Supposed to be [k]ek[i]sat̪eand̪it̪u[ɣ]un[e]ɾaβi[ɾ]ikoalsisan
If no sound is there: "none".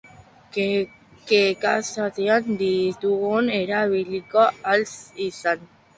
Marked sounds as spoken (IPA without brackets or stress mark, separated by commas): k, a, ɣ, e, l